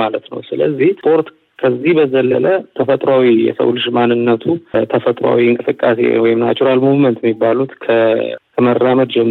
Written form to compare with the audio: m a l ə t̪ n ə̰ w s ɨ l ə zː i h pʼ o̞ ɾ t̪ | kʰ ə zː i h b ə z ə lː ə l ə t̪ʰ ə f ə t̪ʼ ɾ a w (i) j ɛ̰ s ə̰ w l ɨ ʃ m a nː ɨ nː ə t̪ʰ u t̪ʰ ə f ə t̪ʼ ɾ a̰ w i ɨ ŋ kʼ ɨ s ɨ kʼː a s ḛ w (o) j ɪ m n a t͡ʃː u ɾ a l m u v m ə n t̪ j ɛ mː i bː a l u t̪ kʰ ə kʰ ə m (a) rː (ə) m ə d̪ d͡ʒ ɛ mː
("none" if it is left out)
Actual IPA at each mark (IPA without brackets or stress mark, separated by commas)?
i, ɔ, ə, a